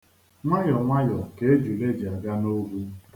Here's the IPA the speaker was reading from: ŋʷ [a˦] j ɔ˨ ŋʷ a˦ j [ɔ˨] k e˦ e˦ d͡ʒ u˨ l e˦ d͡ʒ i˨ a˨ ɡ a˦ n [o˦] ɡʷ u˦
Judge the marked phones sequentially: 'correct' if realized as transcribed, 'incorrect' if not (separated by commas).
correct, correct, correct